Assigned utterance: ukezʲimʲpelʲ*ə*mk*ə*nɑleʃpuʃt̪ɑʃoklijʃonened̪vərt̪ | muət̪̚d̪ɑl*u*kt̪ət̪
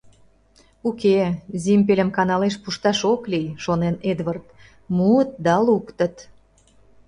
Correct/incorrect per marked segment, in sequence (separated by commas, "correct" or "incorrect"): correct, incorrect, correct